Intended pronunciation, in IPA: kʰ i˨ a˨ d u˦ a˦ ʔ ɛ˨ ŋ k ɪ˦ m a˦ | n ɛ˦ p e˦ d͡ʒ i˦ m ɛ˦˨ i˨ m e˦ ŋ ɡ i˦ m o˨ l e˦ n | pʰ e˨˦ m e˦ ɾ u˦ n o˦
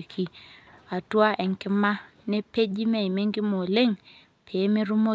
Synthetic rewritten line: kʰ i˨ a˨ t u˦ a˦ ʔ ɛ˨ ŋ k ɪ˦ m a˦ | n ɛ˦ p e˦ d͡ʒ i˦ m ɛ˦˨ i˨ m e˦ ŋ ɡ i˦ m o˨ l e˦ ŋ | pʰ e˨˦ m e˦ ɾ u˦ m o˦